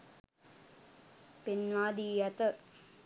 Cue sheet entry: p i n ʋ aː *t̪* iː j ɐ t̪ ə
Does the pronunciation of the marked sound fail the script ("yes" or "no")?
yes